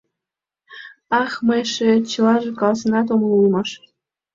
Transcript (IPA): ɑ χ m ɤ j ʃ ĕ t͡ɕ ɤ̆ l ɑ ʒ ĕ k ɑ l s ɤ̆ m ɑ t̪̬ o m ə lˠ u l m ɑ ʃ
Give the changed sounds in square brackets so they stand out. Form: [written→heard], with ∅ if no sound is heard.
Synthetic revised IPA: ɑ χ m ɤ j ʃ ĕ t͡ɕ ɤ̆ l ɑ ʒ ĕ k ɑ l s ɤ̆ [m→n] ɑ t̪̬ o m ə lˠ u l m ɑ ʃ